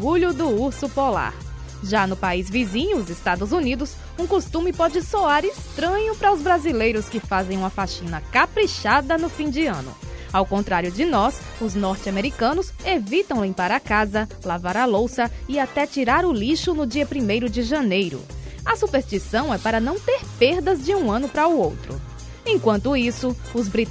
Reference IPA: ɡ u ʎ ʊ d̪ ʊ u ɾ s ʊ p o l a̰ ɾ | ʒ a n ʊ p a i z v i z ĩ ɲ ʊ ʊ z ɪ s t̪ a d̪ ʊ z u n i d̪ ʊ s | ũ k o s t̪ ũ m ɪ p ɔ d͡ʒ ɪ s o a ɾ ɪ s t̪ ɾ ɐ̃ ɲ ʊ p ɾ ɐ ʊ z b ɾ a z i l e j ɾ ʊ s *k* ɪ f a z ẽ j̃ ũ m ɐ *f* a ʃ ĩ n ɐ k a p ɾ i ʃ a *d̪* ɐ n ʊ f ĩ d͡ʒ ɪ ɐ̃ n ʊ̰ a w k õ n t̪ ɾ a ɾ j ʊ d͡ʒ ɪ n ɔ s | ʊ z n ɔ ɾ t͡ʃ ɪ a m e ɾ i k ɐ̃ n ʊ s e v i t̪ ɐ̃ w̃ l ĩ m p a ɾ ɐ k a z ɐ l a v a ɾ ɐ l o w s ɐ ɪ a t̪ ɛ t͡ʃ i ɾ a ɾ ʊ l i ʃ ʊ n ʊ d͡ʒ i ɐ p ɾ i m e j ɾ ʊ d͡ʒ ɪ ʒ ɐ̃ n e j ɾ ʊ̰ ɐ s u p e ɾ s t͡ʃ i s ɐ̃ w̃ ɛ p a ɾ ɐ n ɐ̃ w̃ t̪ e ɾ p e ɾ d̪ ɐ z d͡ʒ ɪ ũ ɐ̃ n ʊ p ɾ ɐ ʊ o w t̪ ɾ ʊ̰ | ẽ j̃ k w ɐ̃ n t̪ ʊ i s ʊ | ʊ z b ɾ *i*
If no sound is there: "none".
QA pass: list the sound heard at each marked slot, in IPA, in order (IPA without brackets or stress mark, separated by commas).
k, f, d̪, i